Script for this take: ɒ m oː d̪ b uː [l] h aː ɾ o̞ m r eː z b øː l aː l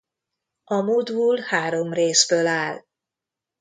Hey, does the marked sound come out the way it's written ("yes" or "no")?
yes